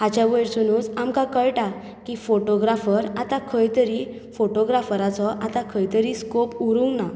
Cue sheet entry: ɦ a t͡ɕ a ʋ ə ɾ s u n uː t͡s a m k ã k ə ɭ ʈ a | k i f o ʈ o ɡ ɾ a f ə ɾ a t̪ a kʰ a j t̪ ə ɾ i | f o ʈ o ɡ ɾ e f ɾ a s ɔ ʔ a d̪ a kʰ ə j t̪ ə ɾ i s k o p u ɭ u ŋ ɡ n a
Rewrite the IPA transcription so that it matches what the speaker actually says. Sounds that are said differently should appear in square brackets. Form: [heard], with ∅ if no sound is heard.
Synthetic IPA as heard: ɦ a t͡ɕ a ʋ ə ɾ s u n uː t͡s a m k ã k ə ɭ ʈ a | k i f o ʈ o ɡ ɾ a f ə ɾ a t̪ a kʰ [ə] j t̪ ə ɾ i | f o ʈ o ɡ ɾ [a] f ɾ a [t͡s] ɔ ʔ a [t̪] a kʰ ə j t̪ ə ɾ i s k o p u [ɾ] u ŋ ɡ n a